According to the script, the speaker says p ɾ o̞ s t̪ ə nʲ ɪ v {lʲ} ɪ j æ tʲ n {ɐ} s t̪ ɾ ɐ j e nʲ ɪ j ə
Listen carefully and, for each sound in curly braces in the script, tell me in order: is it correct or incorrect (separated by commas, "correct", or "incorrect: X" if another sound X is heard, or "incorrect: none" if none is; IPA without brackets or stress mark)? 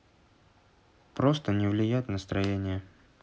correct, incorrect: ə